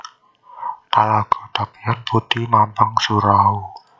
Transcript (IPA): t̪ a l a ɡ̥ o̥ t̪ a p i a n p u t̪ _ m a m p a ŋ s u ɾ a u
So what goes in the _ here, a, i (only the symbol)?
i